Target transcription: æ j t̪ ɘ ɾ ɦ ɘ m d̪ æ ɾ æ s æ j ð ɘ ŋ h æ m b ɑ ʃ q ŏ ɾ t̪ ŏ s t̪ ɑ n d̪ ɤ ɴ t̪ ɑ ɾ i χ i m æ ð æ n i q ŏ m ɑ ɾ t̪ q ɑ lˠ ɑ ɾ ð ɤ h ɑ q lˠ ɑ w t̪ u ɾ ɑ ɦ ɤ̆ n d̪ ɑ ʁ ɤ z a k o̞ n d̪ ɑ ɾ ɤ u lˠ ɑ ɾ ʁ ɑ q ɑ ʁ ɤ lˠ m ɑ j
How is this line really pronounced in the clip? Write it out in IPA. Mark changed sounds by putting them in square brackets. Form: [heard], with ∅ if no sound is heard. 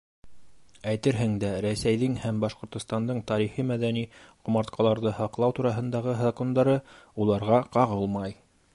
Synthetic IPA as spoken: æ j t̪ ɘ ɾ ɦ ɘ [ŋ] d̪ æ ɾ æ s æ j ð ɘ ŋ h æ m b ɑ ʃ q ŏ ɾ t̪ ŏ s t̪ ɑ n d̪ ɤ ɴ t̪ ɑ ɾ i χ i m æ ð æ n i q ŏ m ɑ ɾ t̪ q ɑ lˠ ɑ ɾ ð ɤ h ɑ q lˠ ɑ w t̪ u ɾ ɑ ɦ ɤ̆ n d̪ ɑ ʁ ɤ z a k o̞ n d̪ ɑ ɾ ɤ u lˠ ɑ ɾ ʁ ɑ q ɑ ʁ ɤ lˠ m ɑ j